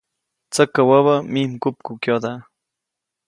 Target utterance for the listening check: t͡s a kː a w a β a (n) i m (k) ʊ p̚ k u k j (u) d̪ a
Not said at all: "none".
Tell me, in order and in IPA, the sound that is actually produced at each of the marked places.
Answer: m, k, o

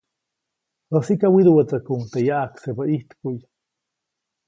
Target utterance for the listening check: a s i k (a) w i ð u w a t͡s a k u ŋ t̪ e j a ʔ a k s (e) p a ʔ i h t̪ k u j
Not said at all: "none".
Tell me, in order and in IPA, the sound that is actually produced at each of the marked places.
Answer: a, e

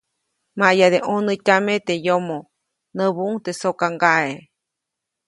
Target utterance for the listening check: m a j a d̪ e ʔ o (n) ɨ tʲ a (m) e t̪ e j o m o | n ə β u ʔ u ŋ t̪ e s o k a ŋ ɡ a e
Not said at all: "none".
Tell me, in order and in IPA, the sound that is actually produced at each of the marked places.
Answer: n, m

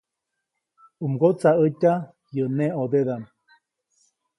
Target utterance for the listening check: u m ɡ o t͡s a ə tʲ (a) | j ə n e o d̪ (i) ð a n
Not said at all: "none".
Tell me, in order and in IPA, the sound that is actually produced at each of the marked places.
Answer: a, e

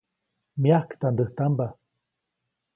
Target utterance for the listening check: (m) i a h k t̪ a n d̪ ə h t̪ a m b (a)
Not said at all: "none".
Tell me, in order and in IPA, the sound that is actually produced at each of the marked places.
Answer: m, a

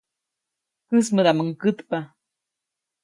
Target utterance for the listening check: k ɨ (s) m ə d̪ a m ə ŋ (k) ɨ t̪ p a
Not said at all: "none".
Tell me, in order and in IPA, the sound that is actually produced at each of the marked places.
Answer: s, k

